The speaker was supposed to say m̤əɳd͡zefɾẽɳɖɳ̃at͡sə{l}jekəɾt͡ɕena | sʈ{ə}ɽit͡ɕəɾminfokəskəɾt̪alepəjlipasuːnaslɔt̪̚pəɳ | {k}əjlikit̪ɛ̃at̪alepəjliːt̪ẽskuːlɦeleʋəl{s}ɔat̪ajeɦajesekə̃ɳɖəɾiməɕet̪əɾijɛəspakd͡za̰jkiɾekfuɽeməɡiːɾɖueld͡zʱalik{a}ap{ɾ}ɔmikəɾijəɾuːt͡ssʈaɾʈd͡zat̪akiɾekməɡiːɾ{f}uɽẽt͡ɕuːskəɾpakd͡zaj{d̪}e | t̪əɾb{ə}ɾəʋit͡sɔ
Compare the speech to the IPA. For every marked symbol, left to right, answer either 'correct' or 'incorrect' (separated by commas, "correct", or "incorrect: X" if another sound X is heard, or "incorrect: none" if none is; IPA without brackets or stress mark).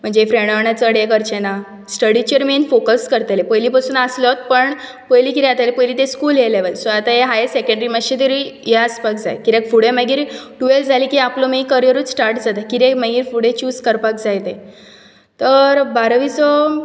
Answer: incorrect: ɽ, correct, incorrect: p, correct, incorrect: i, incorrect: l, correct, incorrect: t̪, incorrect: a